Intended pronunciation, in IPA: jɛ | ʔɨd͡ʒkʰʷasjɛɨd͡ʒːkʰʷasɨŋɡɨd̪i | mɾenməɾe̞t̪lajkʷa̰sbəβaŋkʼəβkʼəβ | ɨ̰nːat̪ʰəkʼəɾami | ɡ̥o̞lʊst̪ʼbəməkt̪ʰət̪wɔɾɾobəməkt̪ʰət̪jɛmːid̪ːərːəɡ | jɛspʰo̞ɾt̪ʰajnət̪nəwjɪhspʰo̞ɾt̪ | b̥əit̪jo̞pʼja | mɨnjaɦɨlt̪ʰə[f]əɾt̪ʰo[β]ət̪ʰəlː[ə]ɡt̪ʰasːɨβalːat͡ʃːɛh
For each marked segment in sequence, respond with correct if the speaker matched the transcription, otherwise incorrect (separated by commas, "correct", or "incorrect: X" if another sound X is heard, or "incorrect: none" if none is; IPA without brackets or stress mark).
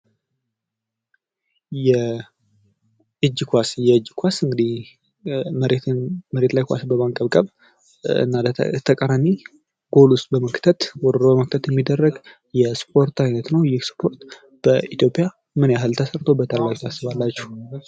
incorrect: s, incorrect: b, incorrect: a